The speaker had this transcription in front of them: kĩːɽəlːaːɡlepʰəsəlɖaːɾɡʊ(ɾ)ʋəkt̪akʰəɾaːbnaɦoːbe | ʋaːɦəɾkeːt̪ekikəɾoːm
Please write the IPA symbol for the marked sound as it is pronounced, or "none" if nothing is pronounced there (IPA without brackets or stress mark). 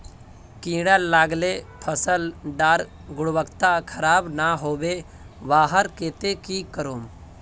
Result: ɽ